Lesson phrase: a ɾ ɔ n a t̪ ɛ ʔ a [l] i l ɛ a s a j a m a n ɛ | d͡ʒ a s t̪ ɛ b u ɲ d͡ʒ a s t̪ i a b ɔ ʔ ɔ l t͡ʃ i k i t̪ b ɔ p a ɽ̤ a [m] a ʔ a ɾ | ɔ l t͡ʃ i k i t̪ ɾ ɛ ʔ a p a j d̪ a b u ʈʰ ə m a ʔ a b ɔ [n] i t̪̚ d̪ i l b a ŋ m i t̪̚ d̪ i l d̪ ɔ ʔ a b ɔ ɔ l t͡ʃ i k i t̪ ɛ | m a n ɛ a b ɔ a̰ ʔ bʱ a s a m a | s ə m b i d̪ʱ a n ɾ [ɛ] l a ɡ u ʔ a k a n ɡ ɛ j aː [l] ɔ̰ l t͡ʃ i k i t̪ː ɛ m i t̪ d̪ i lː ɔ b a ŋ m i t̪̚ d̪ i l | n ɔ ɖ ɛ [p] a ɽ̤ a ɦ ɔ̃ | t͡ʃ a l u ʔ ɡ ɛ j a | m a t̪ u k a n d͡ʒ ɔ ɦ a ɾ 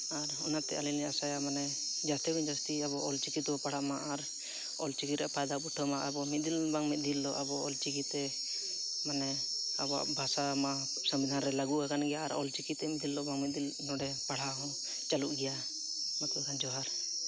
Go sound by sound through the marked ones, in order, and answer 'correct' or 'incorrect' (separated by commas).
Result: correct, correct, incorrect, correct, incorrect, correct